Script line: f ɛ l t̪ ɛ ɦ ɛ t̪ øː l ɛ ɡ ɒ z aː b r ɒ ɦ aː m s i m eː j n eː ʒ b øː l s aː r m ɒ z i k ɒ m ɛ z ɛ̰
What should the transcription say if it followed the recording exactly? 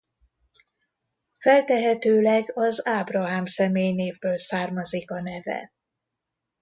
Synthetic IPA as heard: f ɛ l t̪ ɛ ɦ ɛ t̪ øː l ɛ ɡ ɒ z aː b r ɒ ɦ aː m s ɛ m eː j n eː v b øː l s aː r m ɒ z i k ɒ n ɛ v ɛ̰